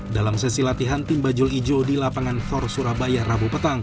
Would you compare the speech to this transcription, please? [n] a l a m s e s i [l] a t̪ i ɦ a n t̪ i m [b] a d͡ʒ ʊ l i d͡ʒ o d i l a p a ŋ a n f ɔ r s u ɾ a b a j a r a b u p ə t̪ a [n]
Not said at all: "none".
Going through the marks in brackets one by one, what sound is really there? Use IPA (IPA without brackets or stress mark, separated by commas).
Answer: d, l, b, ŋ